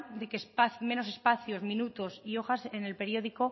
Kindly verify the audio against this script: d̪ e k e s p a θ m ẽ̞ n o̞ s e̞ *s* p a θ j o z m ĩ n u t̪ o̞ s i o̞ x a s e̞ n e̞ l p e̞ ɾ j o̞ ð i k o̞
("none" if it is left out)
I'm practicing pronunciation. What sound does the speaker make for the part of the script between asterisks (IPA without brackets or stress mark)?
s